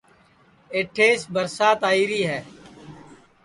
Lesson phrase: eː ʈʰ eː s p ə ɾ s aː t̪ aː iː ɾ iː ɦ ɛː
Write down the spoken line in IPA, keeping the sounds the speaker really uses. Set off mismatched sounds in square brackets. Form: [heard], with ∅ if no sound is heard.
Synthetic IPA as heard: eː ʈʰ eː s [b] ə ɾ s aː t̪ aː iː ɾ iː ɦ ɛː